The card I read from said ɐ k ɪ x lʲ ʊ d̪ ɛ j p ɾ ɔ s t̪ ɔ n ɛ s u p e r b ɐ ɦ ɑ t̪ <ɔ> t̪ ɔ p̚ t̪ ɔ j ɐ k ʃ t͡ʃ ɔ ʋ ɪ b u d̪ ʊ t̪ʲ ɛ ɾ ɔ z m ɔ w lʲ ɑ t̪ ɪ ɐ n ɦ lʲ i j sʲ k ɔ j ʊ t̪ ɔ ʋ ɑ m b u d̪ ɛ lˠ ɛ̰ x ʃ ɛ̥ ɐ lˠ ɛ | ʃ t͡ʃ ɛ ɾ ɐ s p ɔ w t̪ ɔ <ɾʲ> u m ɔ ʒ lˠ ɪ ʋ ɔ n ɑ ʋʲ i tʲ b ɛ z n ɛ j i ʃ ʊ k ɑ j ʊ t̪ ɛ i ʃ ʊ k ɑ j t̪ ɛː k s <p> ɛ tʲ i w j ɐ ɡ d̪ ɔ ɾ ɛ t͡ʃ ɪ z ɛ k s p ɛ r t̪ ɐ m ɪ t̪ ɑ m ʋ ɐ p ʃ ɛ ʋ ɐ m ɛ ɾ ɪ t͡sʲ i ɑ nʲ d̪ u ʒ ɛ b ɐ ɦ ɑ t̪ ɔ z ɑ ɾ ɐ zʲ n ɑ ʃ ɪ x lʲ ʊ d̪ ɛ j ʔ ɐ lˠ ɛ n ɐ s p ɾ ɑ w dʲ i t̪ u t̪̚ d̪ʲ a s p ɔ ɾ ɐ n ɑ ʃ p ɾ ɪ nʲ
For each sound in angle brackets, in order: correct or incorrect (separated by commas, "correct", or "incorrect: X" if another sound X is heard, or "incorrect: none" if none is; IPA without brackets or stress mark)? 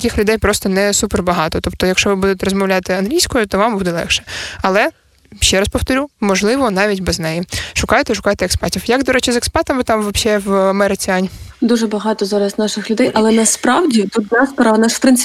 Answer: correct, correct, correct